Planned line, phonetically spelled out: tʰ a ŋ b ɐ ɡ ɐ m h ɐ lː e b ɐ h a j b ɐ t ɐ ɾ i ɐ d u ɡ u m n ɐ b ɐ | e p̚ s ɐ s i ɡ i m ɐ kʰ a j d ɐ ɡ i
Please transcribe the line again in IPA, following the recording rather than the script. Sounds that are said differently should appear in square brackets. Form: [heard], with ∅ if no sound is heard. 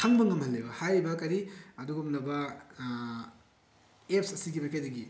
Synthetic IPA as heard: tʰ a ŋ b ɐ [ŋ] ɐ m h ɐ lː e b ɐ h a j b ɐ [k] ɐ ɾ i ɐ d u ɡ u m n ɐ b ɐ | e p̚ s ɐ s i ɡ i m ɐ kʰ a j d ɐ ɡ i